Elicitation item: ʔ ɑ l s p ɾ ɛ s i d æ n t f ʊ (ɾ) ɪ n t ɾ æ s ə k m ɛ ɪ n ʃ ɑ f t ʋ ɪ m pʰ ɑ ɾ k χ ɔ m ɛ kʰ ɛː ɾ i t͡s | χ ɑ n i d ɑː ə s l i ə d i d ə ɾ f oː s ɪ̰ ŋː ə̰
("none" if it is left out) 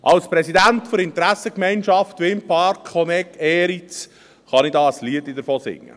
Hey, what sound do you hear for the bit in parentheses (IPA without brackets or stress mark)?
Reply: ɾ